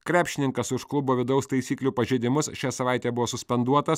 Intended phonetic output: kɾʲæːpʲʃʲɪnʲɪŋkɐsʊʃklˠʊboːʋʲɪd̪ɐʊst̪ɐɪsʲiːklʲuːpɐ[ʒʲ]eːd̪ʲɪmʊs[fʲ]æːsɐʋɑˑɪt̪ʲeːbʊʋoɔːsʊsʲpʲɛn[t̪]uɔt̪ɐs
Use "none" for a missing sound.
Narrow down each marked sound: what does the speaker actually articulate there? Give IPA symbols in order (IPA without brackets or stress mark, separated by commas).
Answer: ʒʲ, ʃʲ, d̪